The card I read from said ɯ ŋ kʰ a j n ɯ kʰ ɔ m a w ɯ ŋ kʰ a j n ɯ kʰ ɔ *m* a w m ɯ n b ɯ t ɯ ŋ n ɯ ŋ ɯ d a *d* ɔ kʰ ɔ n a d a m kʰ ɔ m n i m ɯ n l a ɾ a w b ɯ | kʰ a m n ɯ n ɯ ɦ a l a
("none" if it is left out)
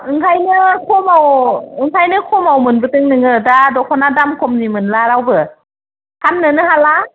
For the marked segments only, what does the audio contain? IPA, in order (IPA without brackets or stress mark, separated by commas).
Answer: m, d